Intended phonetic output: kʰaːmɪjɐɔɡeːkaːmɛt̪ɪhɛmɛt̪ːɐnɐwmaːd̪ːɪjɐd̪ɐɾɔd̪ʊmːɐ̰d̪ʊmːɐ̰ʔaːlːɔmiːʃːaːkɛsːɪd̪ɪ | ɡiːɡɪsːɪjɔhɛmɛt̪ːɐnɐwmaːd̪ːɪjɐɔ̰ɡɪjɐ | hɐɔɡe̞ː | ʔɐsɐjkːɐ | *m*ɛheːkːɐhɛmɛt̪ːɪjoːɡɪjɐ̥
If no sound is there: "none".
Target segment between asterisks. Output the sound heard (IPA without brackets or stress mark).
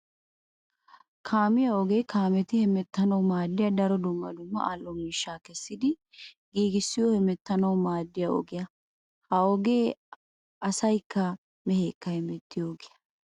m